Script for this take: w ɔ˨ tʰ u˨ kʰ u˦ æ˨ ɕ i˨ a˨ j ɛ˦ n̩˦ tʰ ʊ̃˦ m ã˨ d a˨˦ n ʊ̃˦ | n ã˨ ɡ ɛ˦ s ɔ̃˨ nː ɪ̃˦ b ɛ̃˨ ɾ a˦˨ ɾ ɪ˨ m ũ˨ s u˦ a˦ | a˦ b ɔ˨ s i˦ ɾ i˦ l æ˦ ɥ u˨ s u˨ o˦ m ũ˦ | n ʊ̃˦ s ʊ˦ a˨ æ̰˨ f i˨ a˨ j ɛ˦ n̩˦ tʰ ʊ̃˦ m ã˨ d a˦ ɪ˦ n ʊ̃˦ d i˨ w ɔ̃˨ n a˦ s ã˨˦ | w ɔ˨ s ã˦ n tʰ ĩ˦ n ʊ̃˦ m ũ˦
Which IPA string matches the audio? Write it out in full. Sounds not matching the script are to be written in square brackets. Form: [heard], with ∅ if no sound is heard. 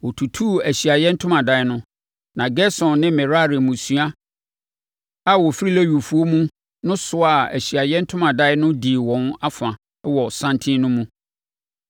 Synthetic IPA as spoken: w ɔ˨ tʰ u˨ [tʰ] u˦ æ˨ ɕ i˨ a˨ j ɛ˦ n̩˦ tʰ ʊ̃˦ m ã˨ d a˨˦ n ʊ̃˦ | n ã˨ ɡ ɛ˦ s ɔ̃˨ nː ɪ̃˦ [m] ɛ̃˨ ɾ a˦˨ ɾ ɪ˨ m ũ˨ s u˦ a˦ | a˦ [w] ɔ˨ [f] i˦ ɾ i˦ l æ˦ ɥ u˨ [f] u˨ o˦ m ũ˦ | n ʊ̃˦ s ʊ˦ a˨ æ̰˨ [ɕ] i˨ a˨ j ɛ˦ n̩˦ tʰ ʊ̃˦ m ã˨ d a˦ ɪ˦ n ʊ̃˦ d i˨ w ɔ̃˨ n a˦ [f] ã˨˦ | w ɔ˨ s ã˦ n tʰ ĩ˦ n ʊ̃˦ m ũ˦

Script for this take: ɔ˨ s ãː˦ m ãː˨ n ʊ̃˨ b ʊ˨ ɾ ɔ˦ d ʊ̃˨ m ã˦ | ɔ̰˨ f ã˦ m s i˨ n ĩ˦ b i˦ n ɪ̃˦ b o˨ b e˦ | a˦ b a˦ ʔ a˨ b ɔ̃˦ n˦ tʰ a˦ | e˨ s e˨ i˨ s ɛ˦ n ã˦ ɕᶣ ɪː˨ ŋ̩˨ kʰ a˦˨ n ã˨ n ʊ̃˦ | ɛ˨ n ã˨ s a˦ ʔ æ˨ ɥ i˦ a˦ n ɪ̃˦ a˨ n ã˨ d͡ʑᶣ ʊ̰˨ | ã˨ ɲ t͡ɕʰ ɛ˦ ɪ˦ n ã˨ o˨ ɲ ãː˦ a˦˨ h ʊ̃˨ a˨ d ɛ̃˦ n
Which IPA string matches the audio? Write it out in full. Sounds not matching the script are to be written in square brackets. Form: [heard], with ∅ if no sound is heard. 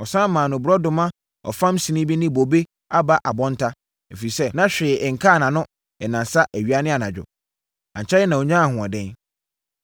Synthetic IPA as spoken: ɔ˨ s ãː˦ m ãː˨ n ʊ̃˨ b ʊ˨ ɾ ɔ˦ d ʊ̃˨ m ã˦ | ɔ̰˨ f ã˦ m s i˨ n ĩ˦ b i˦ n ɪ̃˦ b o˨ b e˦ | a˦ b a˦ ʔ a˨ b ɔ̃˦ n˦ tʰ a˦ | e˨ [f] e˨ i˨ s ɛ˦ n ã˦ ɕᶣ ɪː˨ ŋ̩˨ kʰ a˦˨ n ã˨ n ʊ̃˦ | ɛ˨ n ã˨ s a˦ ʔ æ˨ ɥ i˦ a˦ n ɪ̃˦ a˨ n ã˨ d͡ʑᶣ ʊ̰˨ | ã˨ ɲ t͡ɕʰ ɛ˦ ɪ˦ n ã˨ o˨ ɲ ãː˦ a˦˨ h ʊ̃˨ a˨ d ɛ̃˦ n

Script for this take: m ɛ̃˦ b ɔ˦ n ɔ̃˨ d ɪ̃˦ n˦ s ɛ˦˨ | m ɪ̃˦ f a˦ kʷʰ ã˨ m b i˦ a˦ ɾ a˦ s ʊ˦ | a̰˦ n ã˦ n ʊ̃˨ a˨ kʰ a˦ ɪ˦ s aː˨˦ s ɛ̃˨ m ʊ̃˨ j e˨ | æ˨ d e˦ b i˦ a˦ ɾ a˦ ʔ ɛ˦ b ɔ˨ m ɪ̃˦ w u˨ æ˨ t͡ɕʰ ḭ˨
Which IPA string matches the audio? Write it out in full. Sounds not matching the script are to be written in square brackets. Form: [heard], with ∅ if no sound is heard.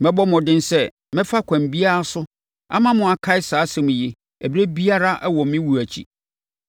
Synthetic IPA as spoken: m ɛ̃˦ b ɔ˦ [m] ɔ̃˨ d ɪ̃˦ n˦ s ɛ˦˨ | m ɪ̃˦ f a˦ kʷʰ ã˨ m b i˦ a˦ ɾ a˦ s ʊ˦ | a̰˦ [m] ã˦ [m] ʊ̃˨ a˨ kʰ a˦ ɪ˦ s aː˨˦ s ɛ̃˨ m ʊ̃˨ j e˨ | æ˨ [b] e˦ b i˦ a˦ ɾ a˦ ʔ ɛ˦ [w] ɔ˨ m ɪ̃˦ w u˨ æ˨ t͡ɕʰ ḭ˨

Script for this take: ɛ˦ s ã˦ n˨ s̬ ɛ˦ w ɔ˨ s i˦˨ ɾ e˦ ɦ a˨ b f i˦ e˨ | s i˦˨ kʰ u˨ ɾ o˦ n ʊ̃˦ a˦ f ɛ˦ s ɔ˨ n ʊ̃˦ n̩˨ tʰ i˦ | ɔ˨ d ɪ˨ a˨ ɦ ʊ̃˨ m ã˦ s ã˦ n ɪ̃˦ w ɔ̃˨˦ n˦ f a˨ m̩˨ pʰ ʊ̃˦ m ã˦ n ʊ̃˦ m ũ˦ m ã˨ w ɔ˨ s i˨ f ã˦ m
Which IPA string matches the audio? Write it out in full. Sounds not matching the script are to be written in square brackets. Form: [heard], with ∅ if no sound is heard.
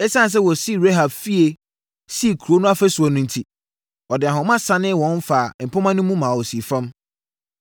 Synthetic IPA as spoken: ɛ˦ s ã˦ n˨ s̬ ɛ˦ w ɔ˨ s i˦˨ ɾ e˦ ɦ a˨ b f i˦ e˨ | s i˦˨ kʰ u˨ ɾ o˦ n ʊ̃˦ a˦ f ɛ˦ s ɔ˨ n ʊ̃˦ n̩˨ tʰ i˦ | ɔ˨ d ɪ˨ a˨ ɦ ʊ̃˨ m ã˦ s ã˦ n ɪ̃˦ w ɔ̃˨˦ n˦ f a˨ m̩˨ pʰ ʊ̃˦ m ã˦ n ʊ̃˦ m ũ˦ m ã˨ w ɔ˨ s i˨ f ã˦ m

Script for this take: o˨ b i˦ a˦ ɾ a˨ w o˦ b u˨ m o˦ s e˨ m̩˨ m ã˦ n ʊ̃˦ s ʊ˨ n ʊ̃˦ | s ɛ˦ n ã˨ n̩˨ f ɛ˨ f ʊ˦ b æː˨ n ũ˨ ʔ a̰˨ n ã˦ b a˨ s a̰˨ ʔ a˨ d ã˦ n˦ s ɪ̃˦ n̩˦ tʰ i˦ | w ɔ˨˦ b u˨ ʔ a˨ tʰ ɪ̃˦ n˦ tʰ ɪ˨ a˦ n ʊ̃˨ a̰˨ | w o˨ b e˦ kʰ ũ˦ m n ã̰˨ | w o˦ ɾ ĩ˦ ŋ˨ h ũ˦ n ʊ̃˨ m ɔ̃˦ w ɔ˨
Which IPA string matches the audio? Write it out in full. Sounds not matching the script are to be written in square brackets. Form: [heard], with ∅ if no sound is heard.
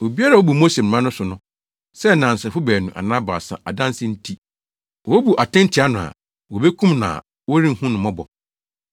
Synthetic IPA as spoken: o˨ b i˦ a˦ ɾ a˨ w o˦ b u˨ m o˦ s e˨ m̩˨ m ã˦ n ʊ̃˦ s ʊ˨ n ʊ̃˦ | s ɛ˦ n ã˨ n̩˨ [s] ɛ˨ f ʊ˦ b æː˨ n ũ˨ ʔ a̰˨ n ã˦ b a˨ s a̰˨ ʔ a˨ d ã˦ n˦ s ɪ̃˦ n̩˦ tʰ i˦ | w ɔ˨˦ b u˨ ʔ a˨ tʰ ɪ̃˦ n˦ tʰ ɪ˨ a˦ n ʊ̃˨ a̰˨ | w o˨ b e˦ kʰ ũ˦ m n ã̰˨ | w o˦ ɾ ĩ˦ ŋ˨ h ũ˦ n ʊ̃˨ m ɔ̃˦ [b] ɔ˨

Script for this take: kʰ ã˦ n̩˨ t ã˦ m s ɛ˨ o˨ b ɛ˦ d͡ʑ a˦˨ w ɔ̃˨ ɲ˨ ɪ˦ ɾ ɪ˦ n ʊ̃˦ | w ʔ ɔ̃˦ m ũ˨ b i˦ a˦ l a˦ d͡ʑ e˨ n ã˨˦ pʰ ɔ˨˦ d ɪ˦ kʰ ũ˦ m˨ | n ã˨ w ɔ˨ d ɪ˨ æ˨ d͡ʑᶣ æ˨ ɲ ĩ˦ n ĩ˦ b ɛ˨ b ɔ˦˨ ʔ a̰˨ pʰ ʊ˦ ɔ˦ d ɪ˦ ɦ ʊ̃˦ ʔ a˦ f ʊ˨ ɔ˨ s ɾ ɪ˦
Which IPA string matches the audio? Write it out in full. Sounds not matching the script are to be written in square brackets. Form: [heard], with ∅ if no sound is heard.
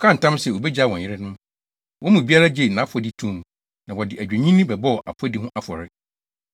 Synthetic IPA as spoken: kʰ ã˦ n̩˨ t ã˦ m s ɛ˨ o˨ b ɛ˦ d͡ʑ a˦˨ w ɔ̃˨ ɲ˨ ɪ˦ ɾ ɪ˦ n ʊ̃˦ | w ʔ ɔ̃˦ m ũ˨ b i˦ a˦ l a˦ d͡ʑ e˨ n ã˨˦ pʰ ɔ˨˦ d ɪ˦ [tʰ] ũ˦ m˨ | n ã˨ w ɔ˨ d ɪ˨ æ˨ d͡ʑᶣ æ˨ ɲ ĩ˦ n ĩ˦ b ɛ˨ b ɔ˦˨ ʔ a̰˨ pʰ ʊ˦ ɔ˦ d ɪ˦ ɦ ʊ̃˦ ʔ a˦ f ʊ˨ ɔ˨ [∅] ɾ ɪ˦

